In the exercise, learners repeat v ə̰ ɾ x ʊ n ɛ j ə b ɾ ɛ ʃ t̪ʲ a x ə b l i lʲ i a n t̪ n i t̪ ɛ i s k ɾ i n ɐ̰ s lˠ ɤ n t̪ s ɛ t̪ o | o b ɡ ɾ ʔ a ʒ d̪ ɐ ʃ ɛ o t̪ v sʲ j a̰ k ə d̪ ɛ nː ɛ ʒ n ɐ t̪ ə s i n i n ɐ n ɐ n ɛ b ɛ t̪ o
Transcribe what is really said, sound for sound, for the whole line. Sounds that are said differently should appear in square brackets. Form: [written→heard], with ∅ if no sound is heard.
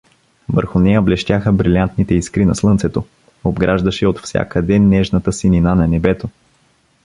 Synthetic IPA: v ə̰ ɾ x ʊ n ɛ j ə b [ɾ→l] ɛ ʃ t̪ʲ a x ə b [l→ɾ] i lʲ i a n t̪ n i t̪ ɛ i s k ɾ i n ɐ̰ s lˠ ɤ n t̪ s ɛ t̪ o | o b ɡ ɾ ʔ a ʒ d̪ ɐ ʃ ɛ o t̪ [v→f] sʲ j a̰ k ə d̪ ɛ nː ɛ ʒ n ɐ t̪ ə s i n i n [ɐ→a] n ɐ n ɛ b ɛ t̪ o

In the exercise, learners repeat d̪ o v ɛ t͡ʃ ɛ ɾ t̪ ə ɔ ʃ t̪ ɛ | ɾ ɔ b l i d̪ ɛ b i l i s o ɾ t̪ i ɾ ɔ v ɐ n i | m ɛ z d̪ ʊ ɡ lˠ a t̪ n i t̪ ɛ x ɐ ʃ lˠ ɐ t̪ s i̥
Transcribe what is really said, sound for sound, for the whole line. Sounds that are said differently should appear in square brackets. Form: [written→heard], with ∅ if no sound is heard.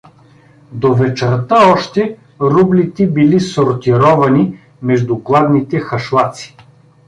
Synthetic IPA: d̪ o v ɛ t͡ʃ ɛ ɾ t̪ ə ɔ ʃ t̪ ɛ | ɾ [ɔ→u] b l i [d̪→t̪] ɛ b i l i s o ɾ t̪ i ɾ ɔ v ɐ n i | m ɛ [z→ʒ] d̪ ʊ ɡ lˠ a [t̪→d̪] n i t̪ ɛ x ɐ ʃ lˠ [ɐ→a] t̪ s i̥

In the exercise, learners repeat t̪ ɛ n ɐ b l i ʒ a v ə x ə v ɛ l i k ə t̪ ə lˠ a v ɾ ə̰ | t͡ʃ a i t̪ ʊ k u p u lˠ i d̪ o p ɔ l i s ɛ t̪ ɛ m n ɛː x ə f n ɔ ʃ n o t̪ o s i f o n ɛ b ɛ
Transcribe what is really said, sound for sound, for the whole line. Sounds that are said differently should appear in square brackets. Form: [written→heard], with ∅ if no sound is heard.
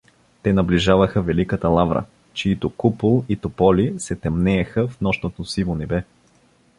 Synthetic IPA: t̪ ɛ n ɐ b l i ʒ a v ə x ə v ɛ l i k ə t̪ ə lˠ a v ɾ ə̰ | t͡ʃ [a→i] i t̪ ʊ k u p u lˠ i [d̪→t̪] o p ɔ l i s ɛ t̪ ɛ m n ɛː x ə f n ɔ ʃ n o t̪ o s i [f→v] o n ɛ b ɛ

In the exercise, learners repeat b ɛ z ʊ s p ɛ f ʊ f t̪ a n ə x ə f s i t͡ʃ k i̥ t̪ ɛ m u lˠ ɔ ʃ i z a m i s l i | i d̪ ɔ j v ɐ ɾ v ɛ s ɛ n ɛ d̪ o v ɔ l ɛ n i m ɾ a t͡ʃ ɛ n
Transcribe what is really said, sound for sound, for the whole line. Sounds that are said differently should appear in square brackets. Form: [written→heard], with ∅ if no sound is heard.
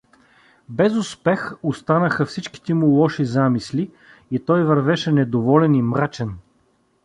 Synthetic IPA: b ɛ z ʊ s p ɛ [f→x] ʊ [f→s] t̪ a n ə x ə f s i t͡ʃ k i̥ t̪ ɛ m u lˠ ɔ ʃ i z a m i s l i | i [d̪→t̪] ɔ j v ɐ ɾ v ɛ [s→ʃ] ɛ n ɛ d̪ o v ɔ l ɛ n i m ɾ a t͡ʃ ɛ n

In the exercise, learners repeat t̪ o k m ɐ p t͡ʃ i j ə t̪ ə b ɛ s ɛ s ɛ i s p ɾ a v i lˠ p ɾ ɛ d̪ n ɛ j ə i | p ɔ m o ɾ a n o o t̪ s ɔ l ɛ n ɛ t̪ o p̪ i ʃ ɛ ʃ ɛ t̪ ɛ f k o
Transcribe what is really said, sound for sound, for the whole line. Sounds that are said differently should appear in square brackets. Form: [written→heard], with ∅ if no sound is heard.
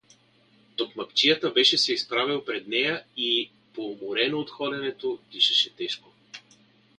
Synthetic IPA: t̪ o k m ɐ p t͡ʃ i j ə t̪ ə b ɛ [s→ʃ] ɛ s ɛ i s p ɾ a v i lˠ p ɾ ɛ d̪ n ɛ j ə i | p [ɔ→o] m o ɾ [a→ɛ] n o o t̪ [s→x] ɔ l ɛ n ɛ t̪ o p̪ i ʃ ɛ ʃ ɛ t̪ ɛ [f→ʃ] k o

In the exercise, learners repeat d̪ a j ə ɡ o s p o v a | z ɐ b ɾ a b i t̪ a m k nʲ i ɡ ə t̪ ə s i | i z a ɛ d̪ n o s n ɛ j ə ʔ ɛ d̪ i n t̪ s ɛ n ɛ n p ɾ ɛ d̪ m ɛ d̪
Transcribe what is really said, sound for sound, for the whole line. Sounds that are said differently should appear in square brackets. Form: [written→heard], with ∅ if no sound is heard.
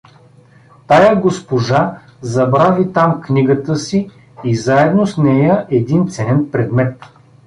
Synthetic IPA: [d̪→t̪] a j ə ɡ o s p o [v→ʒ] a | z ɐ b ɾ a [b→v] i t̪ a m k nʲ i ɡ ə t̪ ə s i | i z a ɛ d̪ n o s n ɛ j ə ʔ ɛ d̪ i n t̪ s ɛ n ɛ n p ɾ ɛ d̪ m ɛ [d̪→t̪]

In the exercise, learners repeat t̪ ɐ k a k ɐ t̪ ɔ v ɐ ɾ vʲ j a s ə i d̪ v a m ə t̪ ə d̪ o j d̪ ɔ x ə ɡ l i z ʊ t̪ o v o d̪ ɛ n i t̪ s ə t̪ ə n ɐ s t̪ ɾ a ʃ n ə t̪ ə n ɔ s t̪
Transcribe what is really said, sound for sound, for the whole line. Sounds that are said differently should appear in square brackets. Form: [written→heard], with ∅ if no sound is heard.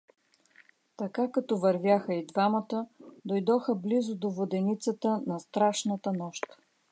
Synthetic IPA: t̪ ɐ k a k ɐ t̪ ɔ v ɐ ɾ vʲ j a [s→x] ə i d̪ v a m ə t̪ ə d̪ o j d̪ ɔ x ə [ɡ→b] l i z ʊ [t̪→d̪] o v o d̪ ɛ n i t̪ s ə t̪ ə n ɐ s t̪ ɾ a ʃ n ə t̪ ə n ɔ [s→ʃ] t̪

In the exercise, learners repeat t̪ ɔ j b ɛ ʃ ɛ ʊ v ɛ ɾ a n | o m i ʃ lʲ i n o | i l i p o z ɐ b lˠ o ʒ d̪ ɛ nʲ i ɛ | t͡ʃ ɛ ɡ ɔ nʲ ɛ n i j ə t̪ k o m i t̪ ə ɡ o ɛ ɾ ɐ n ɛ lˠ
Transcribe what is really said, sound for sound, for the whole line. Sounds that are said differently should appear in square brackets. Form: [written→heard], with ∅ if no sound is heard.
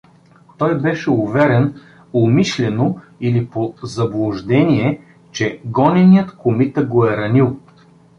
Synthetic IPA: t̪ ɔ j b ɛ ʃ ɛ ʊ v ɛ ɾ [a→ɛ] n | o m i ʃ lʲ [i→ɛ] n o | i l i p o z ɐ b lˠ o ʒ d̪ ɛ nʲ i ɛ | t͡ʃ ɛ ɡ ɔ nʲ ɛ n i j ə t̪ k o m i t̪ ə ɡ o ɛ ɾ ɐ n [ɛ→i] lˠ

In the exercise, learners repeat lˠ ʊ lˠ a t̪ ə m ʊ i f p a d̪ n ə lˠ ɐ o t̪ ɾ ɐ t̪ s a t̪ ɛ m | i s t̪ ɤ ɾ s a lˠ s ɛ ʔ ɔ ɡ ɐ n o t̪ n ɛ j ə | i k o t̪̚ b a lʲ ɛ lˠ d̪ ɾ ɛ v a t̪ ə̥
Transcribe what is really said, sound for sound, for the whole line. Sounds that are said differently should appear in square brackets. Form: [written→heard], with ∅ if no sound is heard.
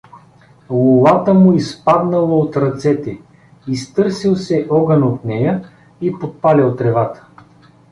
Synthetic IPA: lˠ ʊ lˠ a t̪ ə m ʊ i [f→s] p a d̪ n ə lˠ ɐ o t̪ ɾ ɐ t̪ s [a→ɛ] t̪ ɛ [m→∅] | i s t̪ ɤ ɾ s [a→i] lˠ s ɛ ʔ ɔ ɡ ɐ n o t̪ n ɛ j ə | i [k→p] o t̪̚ [b→p] a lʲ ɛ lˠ [d̪→t̪] ɾ ɛ v a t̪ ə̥

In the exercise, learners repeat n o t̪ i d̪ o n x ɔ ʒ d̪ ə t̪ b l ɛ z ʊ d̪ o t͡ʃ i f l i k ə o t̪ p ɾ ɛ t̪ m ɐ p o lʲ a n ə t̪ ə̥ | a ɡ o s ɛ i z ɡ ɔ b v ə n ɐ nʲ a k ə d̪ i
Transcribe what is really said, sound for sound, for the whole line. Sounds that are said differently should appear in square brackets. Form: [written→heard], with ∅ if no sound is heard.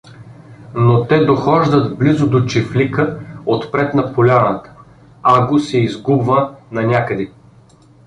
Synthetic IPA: n o t̪ [i→ɛ] d̪ o [n→∅] x ɔ ʒ d̪ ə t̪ b l [ɛ→i] z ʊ d̪ o t͡ʃ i f l i k ə o t̪ p ɾ ɛ t̪ [m→n] ɐ p o lʲ a n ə t̪ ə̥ | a ɡ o s ɛ i z ɡ [ɔ→u] b v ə n ɐ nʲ a k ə d̪ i

